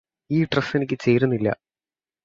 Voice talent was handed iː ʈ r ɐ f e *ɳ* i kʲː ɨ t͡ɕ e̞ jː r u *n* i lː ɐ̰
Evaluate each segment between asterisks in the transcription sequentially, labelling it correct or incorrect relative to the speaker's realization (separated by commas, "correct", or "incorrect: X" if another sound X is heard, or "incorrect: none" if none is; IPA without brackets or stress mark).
incorrect: n, incorrect: nː